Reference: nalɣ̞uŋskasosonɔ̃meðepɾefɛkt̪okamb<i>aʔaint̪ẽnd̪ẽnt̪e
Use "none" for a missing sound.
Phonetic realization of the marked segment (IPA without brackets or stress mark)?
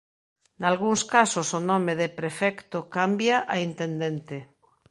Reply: j